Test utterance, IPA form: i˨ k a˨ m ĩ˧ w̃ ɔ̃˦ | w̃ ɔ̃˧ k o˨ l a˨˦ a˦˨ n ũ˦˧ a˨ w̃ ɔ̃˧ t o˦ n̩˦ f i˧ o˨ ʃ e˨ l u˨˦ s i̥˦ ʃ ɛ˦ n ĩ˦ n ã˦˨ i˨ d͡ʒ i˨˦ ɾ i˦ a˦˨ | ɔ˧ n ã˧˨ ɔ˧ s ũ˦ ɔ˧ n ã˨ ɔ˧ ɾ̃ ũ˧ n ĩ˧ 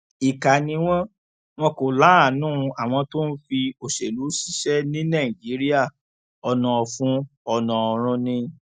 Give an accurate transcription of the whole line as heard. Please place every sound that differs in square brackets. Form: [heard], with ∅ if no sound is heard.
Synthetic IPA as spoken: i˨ k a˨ [n] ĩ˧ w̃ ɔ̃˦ | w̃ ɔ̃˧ k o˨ l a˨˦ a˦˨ n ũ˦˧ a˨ w̃ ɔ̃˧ t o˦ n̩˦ f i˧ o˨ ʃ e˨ l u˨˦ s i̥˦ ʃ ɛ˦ n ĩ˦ n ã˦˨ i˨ d͡ʒ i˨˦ ɾ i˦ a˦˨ | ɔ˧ n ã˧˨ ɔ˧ [f] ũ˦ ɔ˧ n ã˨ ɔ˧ ɾ̃ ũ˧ n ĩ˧